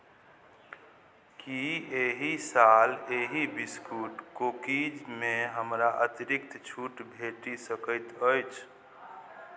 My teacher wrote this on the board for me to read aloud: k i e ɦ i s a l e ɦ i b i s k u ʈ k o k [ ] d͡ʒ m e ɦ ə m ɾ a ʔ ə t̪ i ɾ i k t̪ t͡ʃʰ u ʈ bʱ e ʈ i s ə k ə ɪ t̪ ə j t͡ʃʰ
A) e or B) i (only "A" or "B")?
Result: B